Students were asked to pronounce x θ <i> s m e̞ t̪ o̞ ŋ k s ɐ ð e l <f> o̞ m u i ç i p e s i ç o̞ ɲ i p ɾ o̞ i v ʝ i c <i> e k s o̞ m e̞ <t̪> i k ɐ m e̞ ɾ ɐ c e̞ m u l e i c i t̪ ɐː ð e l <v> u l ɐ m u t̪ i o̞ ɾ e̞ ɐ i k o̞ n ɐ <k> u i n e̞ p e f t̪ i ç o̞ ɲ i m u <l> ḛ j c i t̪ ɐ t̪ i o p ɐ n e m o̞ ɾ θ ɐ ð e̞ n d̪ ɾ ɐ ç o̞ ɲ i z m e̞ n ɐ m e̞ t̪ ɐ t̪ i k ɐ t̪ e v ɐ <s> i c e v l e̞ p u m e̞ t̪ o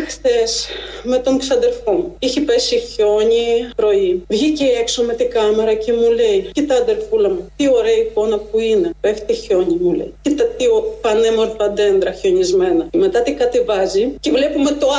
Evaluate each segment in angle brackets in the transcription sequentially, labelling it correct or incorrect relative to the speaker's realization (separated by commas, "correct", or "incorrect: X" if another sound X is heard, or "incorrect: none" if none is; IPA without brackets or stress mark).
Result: incorrect: e, correct, incorrect: e, correct, incorrect: f, incorrect: p, correct, incorrect: z